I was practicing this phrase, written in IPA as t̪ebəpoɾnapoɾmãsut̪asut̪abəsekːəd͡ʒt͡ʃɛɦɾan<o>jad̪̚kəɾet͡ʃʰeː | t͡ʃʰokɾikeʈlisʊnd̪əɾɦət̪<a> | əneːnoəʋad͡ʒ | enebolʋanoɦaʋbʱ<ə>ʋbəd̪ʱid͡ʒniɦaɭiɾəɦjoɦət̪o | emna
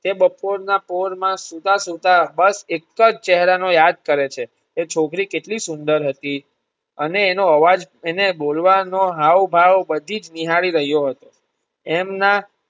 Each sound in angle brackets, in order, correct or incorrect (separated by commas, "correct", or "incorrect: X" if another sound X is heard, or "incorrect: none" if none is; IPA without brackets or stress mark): correct, incorrect: i, incorrect: a